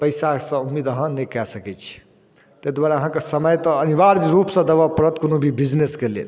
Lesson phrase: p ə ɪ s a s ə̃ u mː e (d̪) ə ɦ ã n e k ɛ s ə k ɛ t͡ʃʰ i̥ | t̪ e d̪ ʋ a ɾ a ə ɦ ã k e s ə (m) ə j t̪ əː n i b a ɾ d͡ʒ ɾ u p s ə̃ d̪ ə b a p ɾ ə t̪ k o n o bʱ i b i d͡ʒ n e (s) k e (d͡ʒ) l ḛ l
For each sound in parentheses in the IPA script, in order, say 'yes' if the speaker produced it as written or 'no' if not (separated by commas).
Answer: yes, yes, yes, no